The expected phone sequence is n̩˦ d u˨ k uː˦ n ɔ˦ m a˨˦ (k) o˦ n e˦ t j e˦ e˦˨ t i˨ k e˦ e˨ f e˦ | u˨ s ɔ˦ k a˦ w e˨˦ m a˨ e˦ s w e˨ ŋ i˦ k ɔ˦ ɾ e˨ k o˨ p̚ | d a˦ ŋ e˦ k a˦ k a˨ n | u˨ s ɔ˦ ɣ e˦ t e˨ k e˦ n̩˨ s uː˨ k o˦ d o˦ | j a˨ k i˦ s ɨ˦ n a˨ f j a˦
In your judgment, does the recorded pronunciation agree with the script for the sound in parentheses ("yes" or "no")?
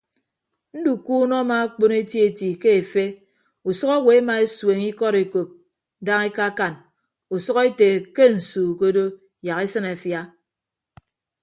no